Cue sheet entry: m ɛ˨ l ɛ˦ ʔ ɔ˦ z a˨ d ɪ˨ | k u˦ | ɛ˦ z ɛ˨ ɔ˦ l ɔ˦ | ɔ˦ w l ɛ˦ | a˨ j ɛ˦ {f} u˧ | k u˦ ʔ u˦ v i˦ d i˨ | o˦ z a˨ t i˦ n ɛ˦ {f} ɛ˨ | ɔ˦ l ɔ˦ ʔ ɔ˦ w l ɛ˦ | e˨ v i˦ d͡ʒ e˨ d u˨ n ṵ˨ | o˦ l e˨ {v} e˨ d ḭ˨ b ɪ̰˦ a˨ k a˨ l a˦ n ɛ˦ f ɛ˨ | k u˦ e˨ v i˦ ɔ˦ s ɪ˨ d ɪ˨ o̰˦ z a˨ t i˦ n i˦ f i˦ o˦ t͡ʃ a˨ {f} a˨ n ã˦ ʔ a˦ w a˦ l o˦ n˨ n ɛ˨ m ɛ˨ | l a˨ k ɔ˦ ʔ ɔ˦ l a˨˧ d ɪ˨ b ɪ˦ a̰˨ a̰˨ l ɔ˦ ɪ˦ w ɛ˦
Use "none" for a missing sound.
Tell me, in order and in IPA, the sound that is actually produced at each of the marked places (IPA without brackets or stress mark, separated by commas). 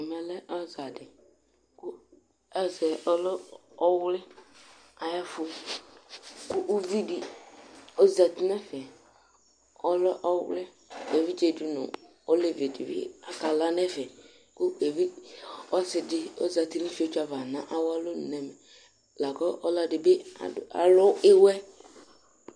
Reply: f, f, v, v